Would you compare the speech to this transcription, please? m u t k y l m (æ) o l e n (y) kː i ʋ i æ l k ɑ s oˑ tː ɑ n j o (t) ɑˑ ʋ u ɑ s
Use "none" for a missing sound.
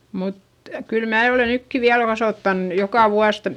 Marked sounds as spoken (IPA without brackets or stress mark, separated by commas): æː, y, k